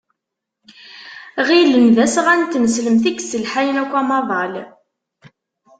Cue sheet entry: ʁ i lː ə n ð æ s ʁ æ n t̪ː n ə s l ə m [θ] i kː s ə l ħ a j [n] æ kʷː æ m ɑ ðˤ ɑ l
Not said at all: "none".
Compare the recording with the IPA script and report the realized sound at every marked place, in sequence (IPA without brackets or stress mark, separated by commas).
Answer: θ, n